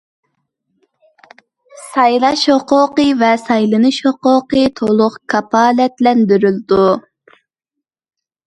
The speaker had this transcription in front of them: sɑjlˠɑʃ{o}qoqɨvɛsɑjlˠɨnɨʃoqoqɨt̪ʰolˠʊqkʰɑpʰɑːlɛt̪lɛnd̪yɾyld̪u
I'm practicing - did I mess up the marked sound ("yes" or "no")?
no